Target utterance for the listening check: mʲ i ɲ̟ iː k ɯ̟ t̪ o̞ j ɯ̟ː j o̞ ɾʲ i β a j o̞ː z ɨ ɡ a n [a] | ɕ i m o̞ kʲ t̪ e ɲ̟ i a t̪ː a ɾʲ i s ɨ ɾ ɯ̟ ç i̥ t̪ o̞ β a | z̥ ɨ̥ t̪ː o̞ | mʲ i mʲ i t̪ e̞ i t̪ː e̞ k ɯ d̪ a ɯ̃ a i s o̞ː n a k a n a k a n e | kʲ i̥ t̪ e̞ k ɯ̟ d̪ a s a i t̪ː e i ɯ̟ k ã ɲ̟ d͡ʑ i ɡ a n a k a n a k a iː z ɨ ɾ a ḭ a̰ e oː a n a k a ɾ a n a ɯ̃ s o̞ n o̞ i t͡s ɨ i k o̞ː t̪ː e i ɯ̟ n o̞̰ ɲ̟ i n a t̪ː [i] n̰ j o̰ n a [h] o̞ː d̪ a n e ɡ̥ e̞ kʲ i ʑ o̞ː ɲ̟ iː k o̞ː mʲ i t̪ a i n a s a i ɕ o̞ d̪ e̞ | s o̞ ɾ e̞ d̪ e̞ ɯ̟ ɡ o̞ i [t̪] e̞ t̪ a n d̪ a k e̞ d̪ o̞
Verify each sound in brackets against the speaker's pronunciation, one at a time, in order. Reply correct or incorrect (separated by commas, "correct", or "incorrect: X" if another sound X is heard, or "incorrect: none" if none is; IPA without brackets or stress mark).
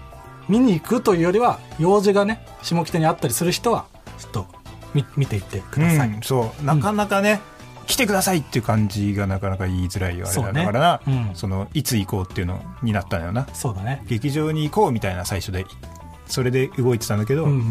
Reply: incorrect: e, incorrect: a, incorrect: s, correct